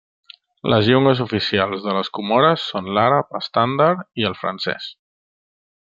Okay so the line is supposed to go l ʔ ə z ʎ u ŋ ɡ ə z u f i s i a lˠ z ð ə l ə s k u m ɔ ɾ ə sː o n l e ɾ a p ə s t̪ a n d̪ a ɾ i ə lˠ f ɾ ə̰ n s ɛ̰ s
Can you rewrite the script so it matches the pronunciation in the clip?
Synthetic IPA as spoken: l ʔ ə z ʎ u ŋ ɡ ə z u f i s i a lˠ z ð ə l ə s k u m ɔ ɾ ə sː o n l a ɾ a p ə s t̪ a n d̪ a ɾ i ə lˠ f ɾ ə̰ n s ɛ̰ s

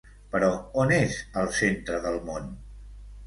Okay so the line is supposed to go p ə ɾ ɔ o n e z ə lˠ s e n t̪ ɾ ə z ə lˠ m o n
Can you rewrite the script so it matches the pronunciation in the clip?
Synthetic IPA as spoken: p ə ɾ ɔ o n e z ə lˠ s e n t̪ ɾ ə ð ə lˠ m o n

